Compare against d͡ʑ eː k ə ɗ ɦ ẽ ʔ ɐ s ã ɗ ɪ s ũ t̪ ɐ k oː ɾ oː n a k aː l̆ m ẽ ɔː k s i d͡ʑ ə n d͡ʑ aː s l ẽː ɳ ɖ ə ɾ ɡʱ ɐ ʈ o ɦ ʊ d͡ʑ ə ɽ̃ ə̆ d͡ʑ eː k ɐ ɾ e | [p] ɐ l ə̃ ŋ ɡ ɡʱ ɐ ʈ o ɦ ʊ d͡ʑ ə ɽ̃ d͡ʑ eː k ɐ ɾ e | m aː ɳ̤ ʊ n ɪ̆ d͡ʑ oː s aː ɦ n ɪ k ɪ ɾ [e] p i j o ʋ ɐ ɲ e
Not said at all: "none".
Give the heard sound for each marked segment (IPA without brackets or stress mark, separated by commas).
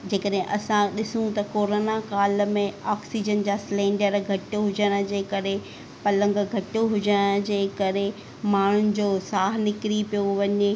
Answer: p, i